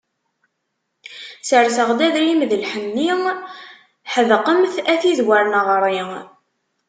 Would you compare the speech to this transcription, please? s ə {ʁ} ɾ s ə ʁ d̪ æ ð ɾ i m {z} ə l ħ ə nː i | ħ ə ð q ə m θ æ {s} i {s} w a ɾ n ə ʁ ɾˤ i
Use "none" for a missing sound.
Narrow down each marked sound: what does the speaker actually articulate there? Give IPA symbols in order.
none, ð, θ, z

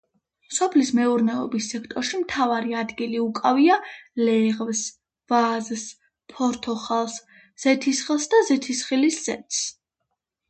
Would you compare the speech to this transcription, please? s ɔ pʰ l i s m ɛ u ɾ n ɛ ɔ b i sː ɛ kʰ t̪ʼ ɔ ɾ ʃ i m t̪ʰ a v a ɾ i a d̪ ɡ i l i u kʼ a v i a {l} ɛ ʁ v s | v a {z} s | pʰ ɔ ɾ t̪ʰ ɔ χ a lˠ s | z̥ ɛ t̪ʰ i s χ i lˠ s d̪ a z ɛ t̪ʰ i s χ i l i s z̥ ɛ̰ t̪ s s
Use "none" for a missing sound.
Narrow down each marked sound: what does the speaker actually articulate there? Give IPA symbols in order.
l, z

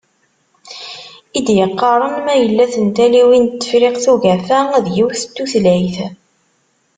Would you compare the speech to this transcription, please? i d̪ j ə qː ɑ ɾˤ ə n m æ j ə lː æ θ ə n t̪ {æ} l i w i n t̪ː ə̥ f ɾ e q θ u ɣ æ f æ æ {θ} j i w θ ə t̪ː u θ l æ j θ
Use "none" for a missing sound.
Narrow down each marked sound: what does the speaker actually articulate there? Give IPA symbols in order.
æ, ð

